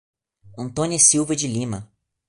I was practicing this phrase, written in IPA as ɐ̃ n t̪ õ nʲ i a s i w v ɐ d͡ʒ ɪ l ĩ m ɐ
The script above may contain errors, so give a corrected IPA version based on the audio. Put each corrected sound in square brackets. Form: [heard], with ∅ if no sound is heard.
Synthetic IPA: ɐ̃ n t̪ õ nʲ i [ɐ] s i w v ɐ d͡ʒ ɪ l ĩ m ɐ